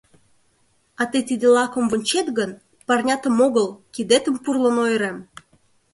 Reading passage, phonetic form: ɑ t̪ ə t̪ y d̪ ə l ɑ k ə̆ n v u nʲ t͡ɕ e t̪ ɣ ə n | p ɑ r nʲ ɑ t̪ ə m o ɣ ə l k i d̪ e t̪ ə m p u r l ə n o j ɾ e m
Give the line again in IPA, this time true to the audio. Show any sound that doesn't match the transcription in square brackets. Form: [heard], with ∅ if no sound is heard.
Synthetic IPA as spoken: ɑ t̪ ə t̪ [i] d̪ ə l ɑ k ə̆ [m] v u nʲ t͡ɕ e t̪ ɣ ə n | p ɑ r nʲ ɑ t̪ ə m o ɣ ə l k i d̪ e t̪ ə m p u r l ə n o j ɾ e m